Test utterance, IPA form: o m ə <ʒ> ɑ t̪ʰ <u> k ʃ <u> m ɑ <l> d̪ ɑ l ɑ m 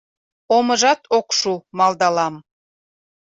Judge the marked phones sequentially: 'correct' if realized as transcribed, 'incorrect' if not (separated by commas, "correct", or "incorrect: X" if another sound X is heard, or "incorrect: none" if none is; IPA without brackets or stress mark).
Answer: correct, incorrect: o, correct, correct